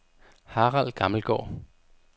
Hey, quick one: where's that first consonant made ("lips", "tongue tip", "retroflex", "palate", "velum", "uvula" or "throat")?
throat